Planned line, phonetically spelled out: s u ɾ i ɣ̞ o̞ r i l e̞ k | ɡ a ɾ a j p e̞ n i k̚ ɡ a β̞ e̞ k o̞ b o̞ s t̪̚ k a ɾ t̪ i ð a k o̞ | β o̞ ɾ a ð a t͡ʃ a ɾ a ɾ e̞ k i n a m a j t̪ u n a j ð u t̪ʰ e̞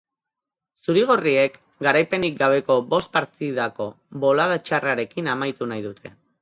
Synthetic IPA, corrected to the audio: s u ɾ i ɣ̞ o̞ r i e̞ k | ɡ a ɾ a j p e̞ n i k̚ ɡ a β̞ e̞ k o̞ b o̞ s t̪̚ p a ɾ t̪ i ð a k o̞ | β o̞ l a ð a t͡ʃ a r a ɾ e̞ k i n a m a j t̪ u n a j ð u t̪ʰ e̞